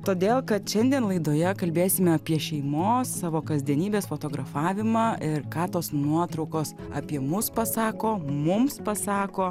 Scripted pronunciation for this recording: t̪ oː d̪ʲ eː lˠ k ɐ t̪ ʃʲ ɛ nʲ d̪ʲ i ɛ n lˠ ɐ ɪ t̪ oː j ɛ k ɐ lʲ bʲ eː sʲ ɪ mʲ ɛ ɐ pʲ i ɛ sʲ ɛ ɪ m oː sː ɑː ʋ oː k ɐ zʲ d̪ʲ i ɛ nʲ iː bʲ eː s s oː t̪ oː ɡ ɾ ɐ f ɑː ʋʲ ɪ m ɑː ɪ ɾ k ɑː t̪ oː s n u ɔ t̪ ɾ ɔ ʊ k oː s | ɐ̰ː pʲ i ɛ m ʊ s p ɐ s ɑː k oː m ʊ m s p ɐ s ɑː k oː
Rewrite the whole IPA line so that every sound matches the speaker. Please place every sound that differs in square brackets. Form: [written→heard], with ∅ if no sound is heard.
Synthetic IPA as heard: t̪ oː d̪ʲ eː lˠ k ɐ t̪ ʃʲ ɛ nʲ d̪ʲ i ɛ n lˠ ɐ ɪ [t̪→d̪] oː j ɛ k ɐ lʲ bʲ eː sʲ ɪ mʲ ɛ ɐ pʲ i ɛ [sʲ→ʃʲ] ɛ ɪ m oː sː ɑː ʋ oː k ɐ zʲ d̪ʲ i ɛ nʲ iː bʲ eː s [s→f] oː t̪ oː ɡ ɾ ɐ f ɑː ʋʲ ɪ m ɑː ɪ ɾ k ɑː t̪ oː s n u ɔ t̪ ɾ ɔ ʊ k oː s | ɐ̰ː pʲ i ɛ m ʊ s p ɐ s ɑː k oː m ʊ m s p ɐ s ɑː k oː